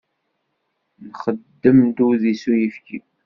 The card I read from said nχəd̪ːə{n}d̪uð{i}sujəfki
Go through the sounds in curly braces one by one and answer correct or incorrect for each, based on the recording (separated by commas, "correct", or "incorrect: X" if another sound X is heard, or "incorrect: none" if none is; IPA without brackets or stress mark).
incorrect: m, correct